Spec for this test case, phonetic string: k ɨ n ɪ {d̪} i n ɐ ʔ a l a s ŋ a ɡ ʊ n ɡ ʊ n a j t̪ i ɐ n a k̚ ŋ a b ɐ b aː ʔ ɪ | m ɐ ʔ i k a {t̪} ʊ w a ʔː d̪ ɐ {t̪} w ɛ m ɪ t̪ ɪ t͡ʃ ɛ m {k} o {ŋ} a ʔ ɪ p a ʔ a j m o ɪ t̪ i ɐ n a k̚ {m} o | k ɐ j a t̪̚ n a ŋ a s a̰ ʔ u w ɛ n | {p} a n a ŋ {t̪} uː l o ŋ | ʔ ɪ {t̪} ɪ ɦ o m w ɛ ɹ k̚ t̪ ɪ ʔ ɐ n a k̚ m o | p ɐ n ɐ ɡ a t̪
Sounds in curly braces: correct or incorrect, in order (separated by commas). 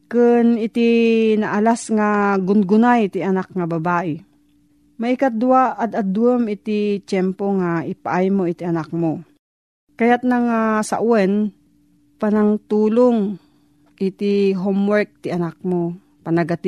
incorrect, incorrect, incorrect, incorrect, correct, correct, correct, correct, correct